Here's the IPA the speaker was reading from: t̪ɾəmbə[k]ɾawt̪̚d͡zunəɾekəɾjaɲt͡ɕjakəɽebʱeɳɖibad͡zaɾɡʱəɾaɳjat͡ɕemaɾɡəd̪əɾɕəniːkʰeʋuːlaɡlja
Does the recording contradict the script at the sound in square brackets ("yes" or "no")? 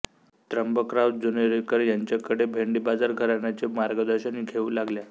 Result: no